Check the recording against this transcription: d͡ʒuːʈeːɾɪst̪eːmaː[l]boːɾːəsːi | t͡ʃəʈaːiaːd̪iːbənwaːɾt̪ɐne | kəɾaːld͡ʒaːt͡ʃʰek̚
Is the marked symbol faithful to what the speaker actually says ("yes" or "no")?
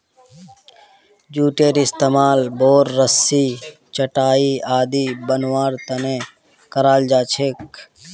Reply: yes